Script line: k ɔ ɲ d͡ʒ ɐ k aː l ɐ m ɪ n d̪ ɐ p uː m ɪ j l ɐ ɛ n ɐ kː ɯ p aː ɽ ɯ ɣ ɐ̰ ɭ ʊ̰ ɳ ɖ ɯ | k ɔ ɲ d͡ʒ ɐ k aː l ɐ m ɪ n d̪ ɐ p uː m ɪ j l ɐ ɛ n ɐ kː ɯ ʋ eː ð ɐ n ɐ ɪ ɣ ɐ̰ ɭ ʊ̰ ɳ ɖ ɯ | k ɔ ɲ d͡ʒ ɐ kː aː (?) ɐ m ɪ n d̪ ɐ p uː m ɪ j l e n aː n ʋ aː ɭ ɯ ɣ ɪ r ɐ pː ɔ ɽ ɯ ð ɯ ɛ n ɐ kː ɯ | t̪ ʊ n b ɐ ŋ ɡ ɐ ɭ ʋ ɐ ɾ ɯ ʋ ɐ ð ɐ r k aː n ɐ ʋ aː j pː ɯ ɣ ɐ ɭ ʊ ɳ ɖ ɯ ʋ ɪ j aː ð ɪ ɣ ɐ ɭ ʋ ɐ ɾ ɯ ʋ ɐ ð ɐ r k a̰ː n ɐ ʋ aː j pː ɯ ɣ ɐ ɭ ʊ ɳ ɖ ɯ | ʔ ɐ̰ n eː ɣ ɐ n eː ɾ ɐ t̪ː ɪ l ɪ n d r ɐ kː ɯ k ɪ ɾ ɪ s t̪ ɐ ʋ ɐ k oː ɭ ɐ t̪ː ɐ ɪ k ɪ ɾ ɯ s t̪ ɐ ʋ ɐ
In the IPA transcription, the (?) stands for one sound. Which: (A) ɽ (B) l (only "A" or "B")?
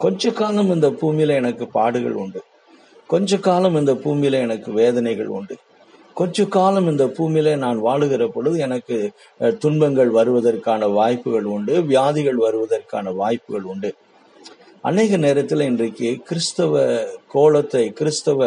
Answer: B